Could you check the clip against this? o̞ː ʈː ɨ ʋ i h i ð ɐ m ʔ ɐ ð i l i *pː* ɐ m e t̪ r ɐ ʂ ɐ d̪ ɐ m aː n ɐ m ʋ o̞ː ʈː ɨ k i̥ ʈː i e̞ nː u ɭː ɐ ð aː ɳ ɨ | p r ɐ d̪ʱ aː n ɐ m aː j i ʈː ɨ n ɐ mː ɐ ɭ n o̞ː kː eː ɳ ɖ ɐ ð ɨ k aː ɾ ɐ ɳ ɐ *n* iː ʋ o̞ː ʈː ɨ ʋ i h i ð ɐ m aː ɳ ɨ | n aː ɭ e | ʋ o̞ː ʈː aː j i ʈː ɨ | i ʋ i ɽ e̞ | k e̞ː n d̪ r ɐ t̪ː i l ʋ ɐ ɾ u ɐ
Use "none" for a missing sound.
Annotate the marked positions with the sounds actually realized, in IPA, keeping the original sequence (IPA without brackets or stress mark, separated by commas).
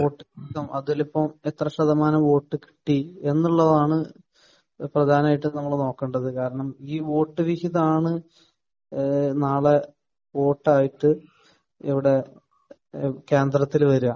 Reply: pː, m